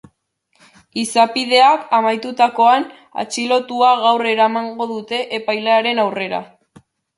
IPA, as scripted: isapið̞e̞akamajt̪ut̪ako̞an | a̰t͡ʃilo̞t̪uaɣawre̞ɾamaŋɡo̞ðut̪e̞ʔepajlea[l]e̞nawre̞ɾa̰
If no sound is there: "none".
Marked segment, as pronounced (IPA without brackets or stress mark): ɾ